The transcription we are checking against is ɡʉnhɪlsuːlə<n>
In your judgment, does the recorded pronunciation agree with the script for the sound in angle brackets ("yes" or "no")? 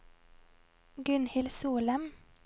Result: no